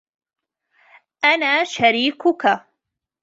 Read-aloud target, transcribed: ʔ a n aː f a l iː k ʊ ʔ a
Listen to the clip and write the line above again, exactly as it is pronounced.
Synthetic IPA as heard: ʔ a n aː ʃ a ɾ iː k ʊ k a